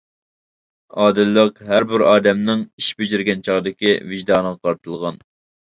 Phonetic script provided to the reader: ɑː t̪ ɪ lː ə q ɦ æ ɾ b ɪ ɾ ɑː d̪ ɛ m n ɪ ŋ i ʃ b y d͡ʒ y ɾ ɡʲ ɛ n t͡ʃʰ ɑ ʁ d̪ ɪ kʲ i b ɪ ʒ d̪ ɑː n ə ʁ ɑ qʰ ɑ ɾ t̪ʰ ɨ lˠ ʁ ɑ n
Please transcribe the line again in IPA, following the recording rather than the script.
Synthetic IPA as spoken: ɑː d̪ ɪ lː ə q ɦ æ ɾ b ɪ ɾ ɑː d̪ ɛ m n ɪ ŋ i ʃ b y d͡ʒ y ɾ ɡʲ ɛ n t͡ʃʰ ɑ ʁ d̪ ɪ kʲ i v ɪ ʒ d̪ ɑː n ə ʁ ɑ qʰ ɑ ɾ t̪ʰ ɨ lˠ ʁ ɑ n